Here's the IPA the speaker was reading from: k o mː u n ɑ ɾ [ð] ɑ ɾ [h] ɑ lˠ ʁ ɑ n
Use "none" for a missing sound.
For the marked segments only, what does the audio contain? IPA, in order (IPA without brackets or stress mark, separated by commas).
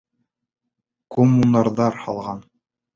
ð, h